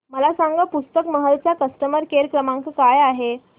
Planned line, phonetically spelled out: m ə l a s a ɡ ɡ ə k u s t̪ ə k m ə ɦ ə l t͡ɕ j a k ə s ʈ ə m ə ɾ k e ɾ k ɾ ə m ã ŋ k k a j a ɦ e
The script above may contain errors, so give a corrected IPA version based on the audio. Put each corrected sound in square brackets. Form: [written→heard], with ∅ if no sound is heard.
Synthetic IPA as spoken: m ə l a s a [ɡ→ŋ] ɡ ə [k→p] u s t̪ ə k m ə ɦ ə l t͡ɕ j a k ə s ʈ ə m ə ɾ k e ɾ k ɾ ə m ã ŋ k k a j a ɦ e